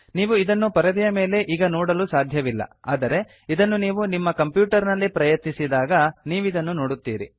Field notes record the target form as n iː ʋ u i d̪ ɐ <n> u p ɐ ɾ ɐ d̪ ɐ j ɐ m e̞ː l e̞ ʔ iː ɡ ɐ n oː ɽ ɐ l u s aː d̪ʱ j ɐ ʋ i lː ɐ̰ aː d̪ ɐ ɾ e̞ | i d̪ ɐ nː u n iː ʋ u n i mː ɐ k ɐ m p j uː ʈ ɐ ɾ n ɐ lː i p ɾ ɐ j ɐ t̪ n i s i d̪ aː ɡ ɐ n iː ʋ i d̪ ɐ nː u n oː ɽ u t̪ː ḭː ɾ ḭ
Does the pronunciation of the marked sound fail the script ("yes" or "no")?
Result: yes